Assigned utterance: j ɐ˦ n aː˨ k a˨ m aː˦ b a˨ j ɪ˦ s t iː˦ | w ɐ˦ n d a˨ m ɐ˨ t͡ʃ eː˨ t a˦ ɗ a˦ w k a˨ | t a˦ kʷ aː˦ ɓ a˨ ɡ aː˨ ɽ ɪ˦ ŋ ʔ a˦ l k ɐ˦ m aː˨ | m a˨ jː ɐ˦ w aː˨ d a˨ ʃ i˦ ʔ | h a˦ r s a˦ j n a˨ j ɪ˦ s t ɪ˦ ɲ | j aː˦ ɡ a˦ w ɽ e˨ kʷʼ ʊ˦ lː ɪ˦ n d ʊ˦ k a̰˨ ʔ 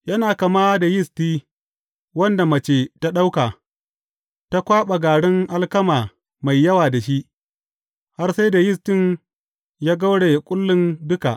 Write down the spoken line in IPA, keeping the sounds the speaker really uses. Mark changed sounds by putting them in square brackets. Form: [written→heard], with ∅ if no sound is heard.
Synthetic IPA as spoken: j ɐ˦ n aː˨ k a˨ m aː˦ [b→d] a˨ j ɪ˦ s t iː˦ | w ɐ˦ n d a˨ m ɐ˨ t͡ʃ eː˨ t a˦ ɗ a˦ w k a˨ | t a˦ kʷ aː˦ ɓ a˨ ɡ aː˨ ɽ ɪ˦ ŋ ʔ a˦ l k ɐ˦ m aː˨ | m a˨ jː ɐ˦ w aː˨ d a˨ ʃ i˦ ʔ | h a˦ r s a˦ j [n→d] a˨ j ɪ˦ s t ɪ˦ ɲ | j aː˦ ɡ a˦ w ɽ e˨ kʷʼ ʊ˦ lː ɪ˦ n d ʊ˦ k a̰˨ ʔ